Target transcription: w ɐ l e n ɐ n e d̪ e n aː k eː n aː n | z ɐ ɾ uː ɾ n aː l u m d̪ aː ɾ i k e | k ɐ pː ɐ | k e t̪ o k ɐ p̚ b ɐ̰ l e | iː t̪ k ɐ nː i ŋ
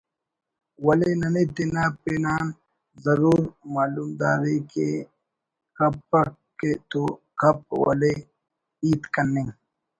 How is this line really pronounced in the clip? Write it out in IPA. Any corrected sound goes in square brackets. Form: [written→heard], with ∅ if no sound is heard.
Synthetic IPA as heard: w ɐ l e n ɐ n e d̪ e n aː [k→p] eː n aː n | z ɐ ɾ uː ɾ [n→m] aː l u m d̪ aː ɾ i k e | k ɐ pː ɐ | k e t̪ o k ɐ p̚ [b→w] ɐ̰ l e | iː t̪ k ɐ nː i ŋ